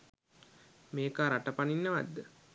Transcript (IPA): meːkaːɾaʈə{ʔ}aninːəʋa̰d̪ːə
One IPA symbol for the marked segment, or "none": p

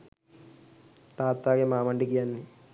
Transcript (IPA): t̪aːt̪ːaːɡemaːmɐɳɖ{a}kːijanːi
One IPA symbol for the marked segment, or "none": i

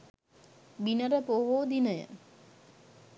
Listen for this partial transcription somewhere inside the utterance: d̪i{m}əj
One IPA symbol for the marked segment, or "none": n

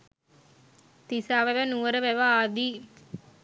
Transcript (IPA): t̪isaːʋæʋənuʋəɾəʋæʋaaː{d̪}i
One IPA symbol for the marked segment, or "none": d̪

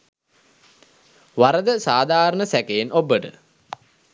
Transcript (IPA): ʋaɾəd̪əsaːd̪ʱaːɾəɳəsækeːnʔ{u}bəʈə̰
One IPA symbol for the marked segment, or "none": o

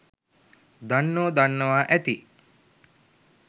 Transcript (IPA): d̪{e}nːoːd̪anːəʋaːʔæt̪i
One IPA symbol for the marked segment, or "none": a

